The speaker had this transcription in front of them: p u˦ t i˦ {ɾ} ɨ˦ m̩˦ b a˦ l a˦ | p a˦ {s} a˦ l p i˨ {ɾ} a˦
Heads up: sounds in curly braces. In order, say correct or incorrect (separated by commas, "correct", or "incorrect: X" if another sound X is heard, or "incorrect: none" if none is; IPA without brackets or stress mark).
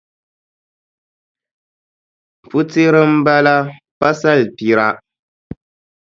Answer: correct, correct, correct